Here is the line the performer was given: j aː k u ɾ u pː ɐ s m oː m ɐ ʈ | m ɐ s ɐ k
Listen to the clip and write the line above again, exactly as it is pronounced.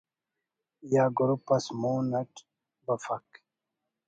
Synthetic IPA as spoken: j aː ɡ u ɾ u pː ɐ s m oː n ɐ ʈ | b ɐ f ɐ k